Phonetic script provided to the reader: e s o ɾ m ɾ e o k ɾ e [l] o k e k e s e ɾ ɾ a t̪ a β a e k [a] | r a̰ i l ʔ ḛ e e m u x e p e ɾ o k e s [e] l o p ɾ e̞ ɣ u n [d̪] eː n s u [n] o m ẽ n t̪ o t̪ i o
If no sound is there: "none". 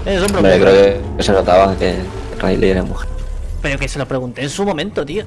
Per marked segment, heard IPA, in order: none, e, e, t̪, m

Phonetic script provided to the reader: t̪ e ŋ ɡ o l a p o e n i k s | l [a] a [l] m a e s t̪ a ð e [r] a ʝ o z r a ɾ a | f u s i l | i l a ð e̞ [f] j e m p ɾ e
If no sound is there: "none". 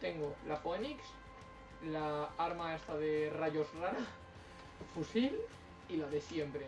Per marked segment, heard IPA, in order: a, ɾ, r, s

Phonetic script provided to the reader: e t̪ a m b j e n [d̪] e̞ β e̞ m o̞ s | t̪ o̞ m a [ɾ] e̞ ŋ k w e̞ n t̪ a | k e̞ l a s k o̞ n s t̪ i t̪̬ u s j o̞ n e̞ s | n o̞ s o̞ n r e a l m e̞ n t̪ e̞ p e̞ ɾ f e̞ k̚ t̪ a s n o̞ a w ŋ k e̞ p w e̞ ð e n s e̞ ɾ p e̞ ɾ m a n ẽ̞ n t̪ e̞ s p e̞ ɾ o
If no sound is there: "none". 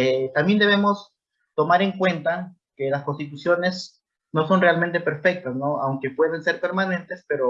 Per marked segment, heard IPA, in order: d̪, ɾ

